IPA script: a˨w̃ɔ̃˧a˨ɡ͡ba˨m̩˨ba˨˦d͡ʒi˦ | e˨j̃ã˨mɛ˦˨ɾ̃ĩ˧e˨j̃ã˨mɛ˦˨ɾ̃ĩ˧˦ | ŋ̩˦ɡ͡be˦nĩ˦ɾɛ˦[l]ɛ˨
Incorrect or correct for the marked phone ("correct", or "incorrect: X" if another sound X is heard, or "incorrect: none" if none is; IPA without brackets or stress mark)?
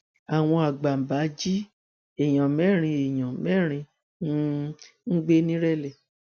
correct